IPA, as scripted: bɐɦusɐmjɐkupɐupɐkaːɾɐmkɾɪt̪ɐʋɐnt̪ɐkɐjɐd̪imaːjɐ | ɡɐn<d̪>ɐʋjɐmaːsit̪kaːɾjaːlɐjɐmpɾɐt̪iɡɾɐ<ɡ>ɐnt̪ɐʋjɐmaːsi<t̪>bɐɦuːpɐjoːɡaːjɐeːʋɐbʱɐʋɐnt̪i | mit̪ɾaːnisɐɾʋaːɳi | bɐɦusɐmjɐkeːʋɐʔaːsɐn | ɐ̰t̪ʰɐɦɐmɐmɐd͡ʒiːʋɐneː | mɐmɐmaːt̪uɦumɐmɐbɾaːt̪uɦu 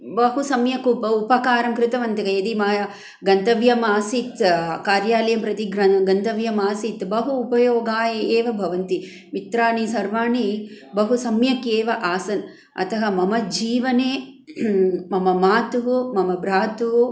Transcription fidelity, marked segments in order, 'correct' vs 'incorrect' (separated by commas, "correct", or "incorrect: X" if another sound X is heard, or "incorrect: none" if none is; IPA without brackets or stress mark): incorrect: t̪, correct, correct